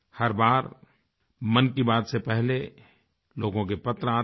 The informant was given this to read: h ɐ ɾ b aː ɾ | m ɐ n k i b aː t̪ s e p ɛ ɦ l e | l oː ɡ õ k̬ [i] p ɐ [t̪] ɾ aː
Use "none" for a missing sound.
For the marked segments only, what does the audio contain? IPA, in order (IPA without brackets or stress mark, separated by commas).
e, t̪